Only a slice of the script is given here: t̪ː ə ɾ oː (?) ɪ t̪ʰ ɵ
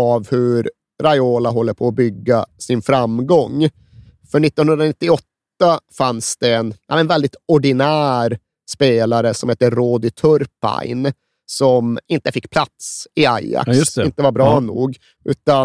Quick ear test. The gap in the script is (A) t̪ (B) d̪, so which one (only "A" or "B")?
B